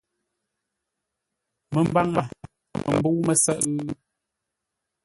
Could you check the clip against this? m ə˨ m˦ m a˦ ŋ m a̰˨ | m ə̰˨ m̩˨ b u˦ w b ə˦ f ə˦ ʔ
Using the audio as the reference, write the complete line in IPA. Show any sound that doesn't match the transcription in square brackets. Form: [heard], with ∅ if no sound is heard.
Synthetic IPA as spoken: m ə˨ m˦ [b] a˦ ŋ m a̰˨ | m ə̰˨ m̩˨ b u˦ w [m] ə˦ [s] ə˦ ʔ